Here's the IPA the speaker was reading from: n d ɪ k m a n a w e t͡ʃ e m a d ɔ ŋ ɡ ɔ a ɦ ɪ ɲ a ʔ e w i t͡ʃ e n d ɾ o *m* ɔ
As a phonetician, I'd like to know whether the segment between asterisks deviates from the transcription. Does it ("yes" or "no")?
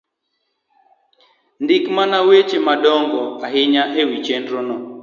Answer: yes